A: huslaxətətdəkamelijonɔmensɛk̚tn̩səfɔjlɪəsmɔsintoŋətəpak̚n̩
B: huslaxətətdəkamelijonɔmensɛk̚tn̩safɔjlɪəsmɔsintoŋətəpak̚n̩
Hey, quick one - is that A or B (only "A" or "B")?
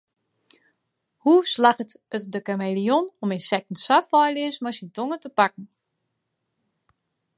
B